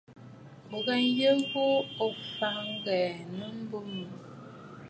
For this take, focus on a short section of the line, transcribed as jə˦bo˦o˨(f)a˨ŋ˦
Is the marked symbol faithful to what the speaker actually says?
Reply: yes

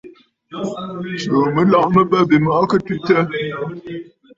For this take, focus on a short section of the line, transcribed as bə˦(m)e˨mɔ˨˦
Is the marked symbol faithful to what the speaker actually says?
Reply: no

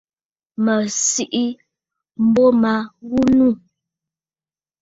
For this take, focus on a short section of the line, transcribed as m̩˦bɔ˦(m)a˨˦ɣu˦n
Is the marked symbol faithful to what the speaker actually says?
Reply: yes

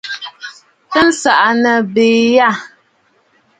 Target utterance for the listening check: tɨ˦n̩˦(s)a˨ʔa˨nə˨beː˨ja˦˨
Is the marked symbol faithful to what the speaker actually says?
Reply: yes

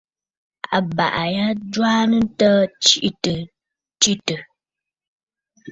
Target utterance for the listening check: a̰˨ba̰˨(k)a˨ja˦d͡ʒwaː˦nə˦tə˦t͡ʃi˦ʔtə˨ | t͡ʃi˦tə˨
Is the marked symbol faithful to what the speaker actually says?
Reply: no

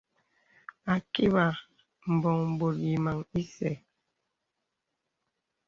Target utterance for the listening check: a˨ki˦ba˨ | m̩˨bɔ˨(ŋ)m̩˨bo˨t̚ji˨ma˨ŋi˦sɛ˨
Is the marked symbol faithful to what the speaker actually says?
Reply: yes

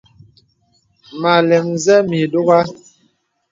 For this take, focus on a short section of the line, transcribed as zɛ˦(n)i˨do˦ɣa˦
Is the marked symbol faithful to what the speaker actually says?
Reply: no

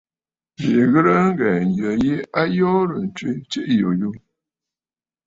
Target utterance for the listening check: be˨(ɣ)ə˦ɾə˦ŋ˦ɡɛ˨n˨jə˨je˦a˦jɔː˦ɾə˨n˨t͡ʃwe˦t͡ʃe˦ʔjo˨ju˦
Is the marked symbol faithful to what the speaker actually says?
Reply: yes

